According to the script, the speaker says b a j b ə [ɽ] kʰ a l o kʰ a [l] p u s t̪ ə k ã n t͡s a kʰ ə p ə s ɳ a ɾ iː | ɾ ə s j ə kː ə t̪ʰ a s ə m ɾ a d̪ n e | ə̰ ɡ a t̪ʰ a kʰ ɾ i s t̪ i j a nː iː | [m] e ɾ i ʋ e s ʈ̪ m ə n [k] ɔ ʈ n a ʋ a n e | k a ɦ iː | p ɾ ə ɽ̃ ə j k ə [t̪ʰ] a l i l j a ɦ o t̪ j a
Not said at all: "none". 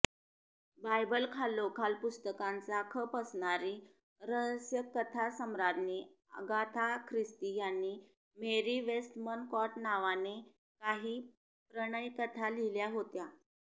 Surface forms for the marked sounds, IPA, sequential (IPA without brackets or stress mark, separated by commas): l, l, m, k, t̪ʰ